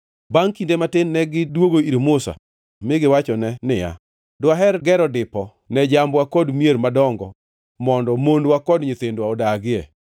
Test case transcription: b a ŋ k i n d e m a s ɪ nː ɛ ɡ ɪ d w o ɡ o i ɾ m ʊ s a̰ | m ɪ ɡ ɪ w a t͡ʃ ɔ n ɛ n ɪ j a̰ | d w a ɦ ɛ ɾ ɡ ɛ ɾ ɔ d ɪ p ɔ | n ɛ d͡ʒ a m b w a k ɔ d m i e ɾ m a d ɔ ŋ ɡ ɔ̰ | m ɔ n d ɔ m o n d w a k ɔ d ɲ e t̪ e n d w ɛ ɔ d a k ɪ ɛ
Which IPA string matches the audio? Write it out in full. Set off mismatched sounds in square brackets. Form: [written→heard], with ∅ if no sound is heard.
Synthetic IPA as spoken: b a ŋ k i n d e m a [s→t] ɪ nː ɛ ɡ ɪ d w o ɡ o i ɾ m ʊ s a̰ | m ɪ ɡ ɪ w a t͡ʃ ɔ n ɛ n ɪ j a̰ | d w a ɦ ɛ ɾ ɡ ɛ ɾ ɔ d ɪ p ɔ | n ɛ d͡ʒ a m b w a k ɔ d m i e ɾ m a d ɔ ŋ ɡ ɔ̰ | m ɔ n d ɔ m o n d w a k ɔ d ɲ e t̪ e n d w [ɛ→a] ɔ d a [k→ɡ] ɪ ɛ